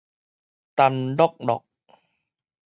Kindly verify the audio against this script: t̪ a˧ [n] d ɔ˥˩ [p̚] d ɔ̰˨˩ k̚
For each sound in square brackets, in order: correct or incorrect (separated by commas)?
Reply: correct, incorrect